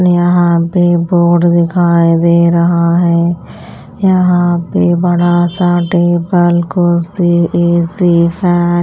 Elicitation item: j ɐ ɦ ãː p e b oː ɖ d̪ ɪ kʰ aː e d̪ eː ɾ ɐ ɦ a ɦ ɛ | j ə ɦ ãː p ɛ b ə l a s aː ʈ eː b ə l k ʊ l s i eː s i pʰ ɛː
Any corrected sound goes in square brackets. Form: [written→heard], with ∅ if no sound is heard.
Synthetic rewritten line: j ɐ ɦ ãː p e b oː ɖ d̪ ɪ kʰ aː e d̪ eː ɾ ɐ ɦ a ɦ ɛ | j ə ɦ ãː p [ɛ→e] b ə [l→ɽ] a s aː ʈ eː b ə l k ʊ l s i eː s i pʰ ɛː